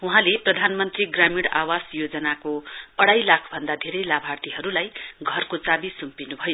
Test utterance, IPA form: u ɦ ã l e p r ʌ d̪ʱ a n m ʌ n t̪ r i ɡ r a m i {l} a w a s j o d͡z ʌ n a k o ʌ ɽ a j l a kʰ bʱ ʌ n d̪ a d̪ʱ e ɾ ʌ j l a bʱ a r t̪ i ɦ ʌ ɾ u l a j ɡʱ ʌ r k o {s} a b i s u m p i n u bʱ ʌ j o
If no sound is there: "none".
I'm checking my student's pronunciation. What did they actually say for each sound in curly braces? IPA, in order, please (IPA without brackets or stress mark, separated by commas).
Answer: ɽ, t͡s